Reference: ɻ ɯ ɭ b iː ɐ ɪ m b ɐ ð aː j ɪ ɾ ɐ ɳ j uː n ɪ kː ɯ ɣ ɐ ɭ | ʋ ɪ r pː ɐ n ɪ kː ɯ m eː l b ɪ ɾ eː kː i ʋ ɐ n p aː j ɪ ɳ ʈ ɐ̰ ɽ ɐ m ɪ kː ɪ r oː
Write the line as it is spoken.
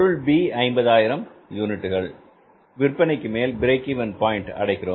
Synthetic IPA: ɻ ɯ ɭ b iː ɐ ɪ m b ɐ ð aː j ɪ ɾ ɐ m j uː n ɪ ʈː ɯ ɣ ɐ ɭ | ʋ ɪ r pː ɐ n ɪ kː ɯ m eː l b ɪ ɾ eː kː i ʋ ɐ n p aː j ɪ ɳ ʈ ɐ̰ ɽ ɐ ɪ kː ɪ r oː

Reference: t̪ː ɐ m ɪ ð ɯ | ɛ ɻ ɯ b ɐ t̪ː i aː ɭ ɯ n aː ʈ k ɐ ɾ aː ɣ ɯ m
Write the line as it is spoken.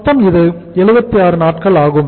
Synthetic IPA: t̪ː ɐ m ɪ ð ɯ | ɛ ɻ ɯ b ɐ t̪ː i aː ɾ ɯ n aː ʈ k ɐ ɭ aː ɣ ɯ m

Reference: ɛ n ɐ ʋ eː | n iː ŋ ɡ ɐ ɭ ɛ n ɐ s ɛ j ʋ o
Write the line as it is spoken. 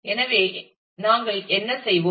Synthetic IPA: ɛ n ɐ ʋ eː | n aː ŋ ɡ ɐ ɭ ɛ nː ɐ s ɛ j ʋ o

